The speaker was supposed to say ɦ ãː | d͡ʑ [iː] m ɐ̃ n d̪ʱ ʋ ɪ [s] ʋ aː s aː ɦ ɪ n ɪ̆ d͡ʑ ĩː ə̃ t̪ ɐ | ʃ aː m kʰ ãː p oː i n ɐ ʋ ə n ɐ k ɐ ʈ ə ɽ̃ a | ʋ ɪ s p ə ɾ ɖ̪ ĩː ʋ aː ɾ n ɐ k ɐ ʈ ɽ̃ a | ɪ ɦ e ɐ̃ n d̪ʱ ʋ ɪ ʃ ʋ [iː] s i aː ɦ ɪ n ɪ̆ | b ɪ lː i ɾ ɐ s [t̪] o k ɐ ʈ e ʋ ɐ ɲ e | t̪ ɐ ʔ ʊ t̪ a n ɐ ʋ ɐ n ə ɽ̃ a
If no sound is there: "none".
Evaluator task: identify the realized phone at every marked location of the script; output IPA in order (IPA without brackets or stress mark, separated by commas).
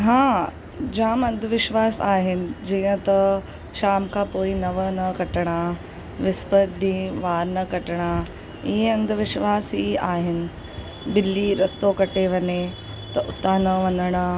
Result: aː, ʃ, aː, t̪